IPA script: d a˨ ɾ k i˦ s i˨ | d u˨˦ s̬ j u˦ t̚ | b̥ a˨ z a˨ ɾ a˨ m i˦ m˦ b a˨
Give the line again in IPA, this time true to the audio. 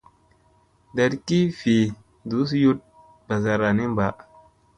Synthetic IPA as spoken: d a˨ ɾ k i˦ f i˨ | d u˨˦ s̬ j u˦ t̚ | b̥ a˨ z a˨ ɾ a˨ n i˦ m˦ b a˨